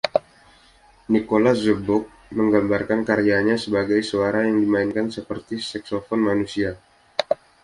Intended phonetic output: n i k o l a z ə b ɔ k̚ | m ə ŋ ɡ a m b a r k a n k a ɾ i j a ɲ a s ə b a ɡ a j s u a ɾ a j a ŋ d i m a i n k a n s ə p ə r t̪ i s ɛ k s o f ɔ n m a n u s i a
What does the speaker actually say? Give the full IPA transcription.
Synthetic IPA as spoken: n i k o l a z ə b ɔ k̚ | m ə ŋ ɡ a m b a r k a n k a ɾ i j a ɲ a s ə b a ɡ a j s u a ɾ a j a ŋ d i m a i n k a n s ə p ə r t̪ i s ɛ k s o f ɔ n m a n u s i a